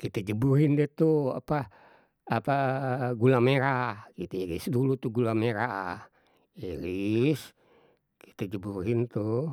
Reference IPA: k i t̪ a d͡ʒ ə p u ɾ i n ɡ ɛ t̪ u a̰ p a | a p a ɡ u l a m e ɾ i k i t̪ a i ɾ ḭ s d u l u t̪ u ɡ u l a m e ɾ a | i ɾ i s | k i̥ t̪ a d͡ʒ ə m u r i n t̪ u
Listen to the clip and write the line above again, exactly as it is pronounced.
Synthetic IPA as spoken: k i t̪ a d͡ʒ ə b u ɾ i n d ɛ t̪ u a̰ p a | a p a ɡ u l a m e ɾ a k i t̪ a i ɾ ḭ s d u l u t̪ u ɡ u l a m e ɾ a | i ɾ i s | k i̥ t̪ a d͡ʒ ə b u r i n t̪ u